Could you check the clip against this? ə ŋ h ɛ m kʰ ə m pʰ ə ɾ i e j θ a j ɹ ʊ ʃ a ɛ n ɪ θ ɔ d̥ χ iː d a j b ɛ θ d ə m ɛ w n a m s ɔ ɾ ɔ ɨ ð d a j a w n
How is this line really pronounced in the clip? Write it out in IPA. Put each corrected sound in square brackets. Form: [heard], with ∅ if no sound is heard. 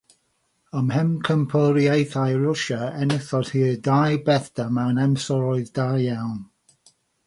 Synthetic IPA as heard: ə [m] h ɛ m kʰ ə m pʰ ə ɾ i e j θ a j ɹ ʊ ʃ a ɛ n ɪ θ ɔ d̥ [h] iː d a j b ɛ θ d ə m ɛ w n [ɛ] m s ɔ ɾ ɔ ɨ ð d a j a w n

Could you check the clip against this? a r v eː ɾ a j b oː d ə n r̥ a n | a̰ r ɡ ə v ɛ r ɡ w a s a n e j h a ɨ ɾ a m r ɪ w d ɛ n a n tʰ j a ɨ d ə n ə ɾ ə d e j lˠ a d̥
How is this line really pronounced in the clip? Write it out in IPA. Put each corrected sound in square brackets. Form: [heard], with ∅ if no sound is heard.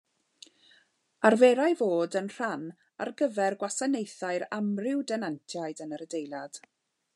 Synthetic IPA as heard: a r v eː ɾ a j [v] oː d ə n r̥ a n | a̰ r ɡ ə v ɛ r ɡ w a s a n e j [θ] a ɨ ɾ a m r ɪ w d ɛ n a n tʰ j a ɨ d ə n ə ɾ ə d e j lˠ a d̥

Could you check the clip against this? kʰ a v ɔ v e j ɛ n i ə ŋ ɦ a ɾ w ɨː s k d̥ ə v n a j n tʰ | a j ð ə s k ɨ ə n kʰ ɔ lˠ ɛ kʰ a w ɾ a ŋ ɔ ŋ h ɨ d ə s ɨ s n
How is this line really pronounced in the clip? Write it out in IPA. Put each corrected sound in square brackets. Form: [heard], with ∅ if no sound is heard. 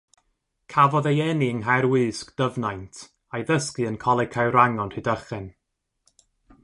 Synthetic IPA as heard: kʰ a v ɔ [ð] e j ɛ n i ə ŋ ɦ a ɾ w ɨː s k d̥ ə v n a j n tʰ | a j ð ə s k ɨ ə n kʰ ɔ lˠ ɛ kʰ a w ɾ a ŋ ɔ [n] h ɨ d ə [χ] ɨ [∅] n

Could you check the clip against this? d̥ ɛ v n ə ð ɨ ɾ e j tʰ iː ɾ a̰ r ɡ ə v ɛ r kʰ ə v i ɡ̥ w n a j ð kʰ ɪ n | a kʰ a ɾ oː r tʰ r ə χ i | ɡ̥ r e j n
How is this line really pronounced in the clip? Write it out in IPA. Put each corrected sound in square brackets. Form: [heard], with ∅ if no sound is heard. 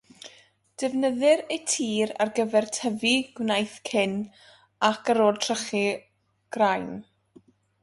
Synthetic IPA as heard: d̥ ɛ v n ə ð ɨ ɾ e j tʰ iː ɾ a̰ r ɡ ə v ɛ r [tʰ] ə v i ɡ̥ w n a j [θ] kʰ ɪ n | a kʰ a ɾ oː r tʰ r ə χ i | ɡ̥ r [a] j n

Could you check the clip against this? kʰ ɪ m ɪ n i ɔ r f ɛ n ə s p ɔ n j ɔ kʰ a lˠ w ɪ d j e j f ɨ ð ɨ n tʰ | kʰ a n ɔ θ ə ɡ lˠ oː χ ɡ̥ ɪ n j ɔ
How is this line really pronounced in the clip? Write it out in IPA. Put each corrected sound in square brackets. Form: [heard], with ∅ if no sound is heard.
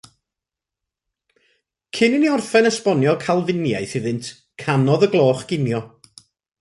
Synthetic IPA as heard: kʰ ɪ [n] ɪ n i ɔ r f ɛ n ə s p ɔ n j ɔ kʰ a lˠ [v] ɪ [n] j [a] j [θ] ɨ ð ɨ n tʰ | kʰ a n ɔ [ð] ə ɡ lˠ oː χ ɡ̥ ɪ n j ɔ

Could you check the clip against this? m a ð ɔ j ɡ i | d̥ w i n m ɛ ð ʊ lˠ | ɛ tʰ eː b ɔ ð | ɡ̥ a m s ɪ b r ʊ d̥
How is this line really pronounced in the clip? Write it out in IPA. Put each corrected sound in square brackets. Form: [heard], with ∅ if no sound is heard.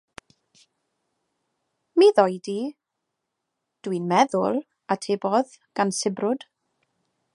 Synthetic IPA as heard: m [i] ð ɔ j [d] i | d̥ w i n m ɛ ð ʊ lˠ | [a] tʰ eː b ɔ ð | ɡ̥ a [n] s ɪ b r ʊ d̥

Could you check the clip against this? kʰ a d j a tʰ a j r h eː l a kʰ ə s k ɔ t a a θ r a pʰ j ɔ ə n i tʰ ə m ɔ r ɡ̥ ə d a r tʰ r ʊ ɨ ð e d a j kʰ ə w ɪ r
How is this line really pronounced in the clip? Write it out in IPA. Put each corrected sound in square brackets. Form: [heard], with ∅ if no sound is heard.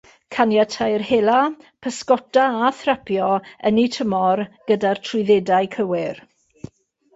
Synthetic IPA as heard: kʰ a [n] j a tʰ a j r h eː l a [pʰ] ə s k ɔ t a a θ r a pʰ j ɔ ə n i tʰ ə m ɔ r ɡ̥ ə d a r tʰ r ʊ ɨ ð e d a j kʰ ə w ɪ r

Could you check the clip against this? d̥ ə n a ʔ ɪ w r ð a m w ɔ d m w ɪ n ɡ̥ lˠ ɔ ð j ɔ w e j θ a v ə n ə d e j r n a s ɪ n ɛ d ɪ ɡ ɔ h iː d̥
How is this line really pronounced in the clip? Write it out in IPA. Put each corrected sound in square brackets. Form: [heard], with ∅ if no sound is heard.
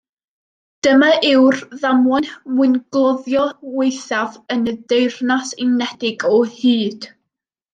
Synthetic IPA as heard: d̥ ə [m] a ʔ ɪ w r ð a m w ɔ [n] m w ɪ n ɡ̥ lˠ ɔ ð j ɔ w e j θ a v ə n ə d e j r n a s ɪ n ɛ d ɪ ɡ ɔ h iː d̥

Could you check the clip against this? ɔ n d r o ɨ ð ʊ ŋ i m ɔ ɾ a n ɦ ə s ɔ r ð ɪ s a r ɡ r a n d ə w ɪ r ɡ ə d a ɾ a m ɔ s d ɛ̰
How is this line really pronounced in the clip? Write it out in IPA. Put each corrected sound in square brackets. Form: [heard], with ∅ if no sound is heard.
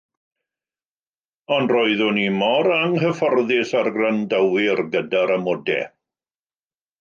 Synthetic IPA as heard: ɔ n d r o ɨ ð ʊ [n] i m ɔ ɾ a [ŋ] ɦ ə [f] ɔ r ð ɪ s a r ɡ r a n d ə w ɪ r ɡ ə d a ɾ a m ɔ [∅] d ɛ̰

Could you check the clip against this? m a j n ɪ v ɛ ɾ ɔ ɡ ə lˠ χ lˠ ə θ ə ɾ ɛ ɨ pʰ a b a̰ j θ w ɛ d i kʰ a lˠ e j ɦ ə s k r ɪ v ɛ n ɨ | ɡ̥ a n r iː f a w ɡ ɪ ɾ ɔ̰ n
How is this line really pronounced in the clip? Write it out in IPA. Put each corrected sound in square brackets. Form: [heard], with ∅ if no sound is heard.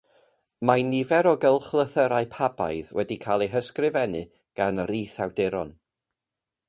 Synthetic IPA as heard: m a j n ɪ v ɛ ɾ ɔ ɡ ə lˠ χ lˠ ə θ ə ɾ [a] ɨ pʰ a b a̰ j [ð] w ɛ d i kʰ a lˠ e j ɦ ə s k r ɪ v ɛ n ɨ | ɡ̥ a n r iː [θ] a w [d] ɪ ɾ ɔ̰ n

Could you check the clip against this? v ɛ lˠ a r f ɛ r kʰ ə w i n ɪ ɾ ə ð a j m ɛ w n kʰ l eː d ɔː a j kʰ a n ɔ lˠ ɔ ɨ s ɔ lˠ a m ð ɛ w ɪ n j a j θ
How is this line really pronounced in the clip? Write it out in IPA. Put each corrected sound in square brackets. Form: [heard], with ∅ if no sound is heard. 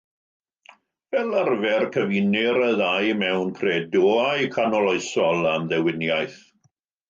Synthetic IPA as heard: v ɛ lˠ a r [v] ɛ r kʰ ə [v] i n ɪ ɾ ə ð a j m ɛ w n kʰ [r] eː d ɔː a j kʰ a n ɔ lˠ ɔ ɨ s ɔ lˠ a m ð ɛ w ɪ n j a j θ

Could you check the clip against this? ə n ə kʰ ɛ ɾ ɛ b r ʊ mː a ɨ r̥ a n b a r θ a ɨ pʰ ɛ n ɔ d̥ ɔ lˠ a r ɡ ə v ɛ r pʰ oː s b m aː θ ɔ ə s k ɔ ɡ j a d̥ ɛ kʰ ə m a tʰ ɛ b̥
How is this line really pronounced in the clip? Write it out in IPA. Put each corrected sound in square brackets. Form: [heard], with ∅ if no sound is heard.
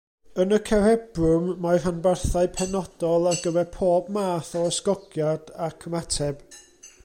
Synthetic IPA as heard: ə n ə kʰ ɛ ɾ ɛ b r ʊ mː a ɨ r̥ a n b a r θ a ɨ pʰ ɛ n ɔ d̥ ɔ lˠ a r ɡ ə v ɛ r pʰ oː [∅] b m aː θ ɔ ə s k ɔ ɡ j a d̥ [a] kʰ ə m a tʰ ɛ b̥

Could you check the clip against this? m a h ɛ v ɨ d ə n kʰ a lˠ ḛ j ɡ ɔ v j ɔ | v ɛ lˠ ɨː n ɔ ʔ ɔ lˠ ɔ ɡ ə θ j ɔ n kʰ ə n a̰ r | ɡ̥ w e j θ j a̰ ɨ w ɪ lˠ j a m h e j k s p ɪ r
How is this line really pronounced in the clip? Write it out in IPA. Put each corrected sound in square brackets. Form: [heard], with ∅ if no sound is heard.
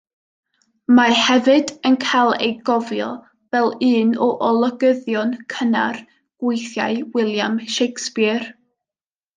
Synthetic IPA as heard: m a h ɛ v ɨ d ə n kʰ a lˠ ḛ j ɡ ɔ v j ɔ | v ɛ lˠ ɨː n ɔ ʔ ɔ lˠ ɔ ɡ ə [ð] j ɔ n kʰ ə n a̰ r | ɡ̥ w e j θ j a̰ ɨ w ɪ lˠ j a m [ʃ] e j k s p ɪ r

